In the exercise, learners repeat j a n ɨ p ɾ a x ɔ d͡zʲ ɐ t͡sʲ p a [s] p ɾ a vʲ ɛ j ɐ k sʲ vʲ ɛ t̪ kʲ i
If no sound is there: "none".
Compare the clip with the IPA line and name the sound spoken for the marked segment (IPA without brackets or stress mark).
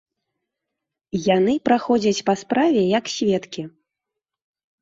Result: s